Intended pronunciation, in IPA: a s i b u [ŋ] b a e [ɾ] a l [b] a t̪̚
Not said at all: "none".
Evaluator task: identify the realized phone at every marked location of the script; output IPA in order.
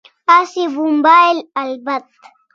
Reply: m, l, b

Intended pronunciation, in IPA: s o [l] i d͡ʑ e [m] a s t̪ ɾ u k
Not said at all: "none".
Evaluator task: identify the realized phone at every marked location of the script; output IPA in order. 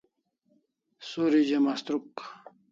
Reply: ɾ, m

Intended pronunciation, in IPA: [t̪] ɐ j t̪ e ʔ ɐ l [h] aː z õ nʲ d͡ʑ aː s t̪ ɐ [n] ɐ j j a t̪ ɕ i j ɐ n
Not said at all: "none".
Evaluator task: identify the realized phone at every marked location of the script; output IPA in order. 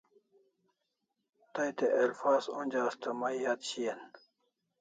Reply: t̪, f, m

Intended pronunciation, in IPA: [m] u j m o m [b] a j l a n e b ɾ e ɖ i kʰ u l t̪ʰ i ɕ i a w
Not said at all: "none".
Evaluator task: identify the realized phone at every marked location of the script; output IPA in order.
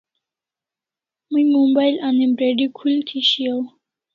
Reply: m, b

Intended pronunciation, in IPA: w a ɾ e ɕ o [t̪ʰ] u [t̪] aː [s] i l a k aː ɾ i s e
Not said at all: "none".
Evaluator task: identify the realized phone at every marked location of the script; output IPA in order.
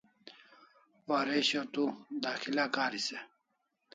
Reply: t̪, d̪, x

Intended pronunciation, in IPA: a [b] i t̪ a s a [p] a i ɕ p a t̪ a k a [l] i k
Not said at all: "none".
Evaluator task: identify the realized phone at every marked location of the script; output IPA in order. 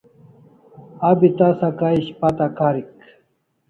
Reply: b, k, ɾ

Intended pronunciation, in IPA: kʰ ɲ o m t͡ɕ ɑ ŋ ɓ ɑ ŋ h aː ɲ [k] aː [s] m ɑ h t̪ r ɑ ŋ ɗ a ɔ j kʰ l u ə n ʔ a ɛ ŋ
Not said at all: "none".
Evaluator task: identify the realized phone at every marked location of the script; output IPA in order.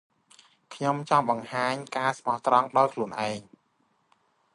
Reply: k, s

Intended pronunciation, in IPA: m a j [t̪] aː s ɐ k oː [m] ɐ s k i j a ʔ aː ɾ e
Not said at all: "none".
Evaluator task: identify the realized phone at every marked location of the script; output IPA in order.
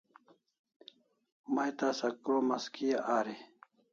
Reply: t̪, m

